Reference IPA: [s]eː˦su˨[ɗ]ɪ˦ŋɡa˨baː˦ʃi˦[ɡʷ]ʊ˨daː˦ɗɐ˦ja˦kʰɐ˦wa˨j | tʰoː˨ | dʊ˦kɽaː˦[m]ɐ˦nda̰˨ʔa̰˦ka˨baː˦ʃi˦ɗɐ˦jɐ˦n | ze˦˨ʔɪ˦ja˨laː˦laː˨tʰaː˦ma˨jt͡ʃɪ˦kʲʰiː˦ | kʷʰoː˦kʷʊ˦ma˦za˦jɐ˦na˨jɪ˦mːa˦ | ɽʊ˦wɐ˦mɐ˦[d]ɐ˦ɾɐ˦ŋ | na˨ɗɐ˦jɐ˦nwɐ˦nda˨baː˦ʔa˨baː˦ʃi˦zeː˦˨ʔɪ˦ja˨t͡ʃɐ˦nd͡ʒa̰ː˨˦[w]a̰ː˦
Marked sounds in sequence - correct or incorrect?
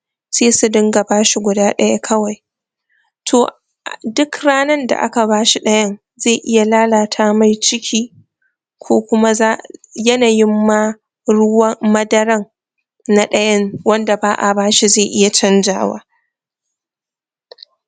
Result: correct, incorrect, correct, incorrect, correct, correct

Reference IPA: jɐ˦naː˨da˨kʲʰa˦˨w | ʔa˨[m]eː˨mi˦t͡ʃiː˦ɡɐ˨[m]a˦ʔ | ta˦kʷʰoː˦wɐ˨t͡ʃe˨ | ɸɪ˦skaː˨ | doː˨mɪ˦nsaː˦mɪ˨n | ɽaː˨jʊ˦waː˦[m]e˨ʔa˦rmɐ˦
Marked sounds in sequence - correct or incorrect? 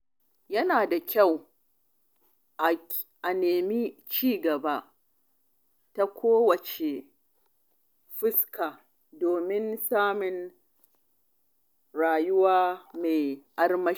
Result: incorrect, incorrect, correct

